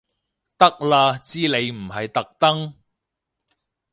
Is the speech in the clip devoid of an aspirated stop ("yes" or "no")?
yes